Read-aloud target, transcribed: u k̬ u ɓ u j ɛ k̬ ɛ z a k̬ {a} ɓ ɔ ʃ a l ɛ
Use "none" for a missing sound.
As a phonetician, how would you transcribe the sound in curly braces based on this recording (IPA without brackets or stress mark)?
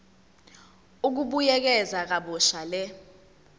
a